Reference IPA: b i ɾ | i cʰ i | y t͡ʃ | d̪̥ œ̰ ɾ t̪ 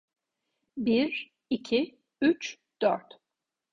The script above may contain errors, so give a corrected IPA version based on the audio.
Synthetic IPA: b i ɾ | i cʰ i | y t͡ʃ | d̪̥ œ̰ ɾ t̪